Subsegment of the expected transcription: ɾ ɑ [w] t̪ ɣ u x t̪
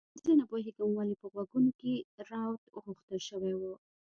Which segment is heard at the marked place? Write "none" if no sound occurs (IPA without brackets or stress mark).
w